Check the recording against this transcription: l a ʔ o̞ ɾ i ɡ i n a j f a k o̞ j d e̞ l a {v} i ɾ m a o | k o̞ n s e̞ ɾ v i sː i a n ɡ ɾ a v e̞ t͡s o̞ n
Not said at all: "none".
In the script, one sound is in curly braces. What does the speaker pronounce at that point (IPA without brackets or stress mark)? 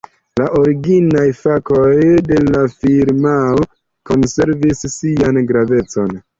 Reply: f